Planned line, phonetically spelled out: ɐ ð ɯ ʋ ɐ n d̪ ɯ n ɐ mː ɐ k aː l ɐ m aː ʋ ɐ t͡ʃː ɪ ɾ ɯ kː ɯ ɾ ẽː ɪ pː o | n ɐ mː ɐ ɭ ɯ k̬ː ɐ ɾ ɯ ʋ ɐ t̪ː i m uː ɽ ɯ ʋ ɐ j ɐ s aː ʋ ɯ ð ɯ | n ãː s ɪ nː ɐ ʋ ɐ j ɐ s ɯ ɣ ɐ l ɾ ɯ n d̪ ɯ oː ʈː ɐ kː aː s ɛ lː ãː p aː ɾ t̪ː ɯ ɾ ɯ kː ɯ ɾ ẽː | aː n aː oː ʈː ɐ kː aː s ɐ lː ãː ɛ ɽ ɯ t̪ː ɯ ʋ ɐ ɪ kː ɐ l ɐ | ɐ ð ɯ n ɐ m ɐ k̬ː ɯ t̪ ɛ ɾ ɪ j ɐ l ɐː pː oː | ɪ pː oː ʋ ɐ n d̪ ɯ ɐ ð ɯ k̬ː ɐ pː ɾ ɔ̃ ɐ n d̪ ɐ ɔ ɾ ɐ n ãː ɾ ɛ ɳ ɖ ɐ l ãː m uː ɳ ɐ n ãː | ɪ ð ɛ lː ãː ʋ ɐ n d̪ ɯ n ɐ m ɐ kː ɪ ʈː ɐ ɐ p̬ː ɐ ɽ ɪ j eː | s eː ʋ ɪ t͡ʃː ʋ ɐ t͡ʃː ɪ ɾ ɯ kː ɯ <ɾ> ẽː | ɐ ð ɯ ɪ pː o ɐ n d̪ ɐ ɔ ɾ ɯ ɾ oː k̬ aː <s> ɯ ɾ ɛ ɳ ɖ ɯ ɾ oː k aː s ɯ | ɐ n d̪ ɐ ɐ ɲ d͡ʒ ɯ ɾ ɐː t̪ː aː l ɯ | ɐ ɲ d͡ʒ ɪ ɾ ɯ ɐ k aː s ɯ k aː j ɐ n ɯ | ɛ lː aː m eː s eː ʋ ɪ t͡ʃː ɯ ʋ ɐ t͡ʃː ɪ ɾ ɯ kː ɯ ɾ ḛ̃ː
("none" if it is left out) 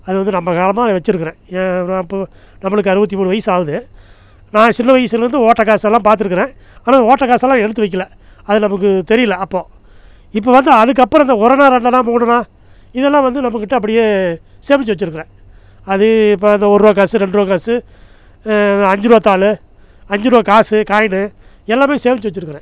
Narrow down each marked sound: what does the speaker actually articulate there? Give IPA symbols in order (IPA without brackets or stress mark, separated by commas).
ɾ, s